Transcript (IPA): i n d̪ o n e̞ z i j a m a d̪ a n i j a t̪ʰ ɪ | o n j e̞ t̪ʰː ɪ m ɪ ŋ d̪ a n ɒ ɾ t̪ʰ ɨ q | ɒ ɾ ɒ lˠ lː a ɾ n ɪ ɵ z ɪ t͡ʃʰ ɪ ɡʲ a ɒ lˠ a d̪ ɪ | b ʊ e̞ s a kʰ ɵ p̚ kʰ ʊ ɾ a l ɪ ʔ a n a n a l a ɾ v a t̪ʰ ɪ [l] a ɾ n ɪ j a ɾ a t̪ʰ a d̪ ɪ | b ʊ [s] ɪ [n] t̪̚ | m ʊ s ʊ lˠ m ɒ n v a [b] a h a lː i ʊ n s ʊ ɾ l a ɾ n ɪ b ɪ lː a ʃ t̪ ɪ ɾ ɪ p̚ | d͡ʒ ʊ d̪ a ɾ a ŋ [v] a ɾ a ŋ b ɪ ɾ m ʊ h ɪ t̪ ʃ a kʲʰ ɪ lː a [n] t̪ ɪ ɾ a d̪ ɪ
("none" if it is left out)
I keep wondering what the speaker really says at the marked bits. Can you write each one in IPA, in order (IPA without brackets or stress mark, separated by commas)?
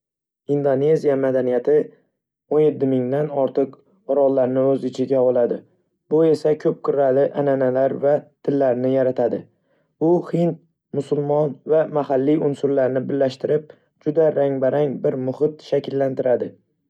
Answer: lː, h, n, m, b, n